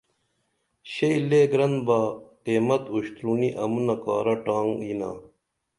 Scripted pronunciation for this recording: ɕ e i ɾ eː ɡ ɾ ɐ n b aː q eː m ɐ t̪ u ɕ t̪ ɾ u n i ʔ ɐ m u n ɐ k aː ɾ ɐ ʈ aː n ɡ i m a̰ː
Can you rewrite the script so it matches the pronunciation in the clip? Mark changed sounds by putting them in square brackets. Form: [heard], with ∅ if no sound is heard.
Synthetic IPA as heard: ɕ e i [l] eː ɡ ɾ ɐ n b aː q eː m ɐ t̪ u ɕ t̪ ɾ u n i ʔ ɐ m u n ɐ k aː ɾ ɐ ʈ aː [ŋ] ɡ i [n] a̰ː